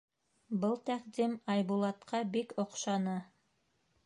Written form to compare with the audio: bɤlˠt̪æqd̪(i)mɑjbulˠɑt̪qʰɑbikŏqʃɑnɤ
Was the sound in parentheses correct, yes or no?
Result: yes